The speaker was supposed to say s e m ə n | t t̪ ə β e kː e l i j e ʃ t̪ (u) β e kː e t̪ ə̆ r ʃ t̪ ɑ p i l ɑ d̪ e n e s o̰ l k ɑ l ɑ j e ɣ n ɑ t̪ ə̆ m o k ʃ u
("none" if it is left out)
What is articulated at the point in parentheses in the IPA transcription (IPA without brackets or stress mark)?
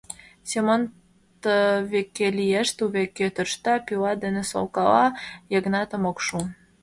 u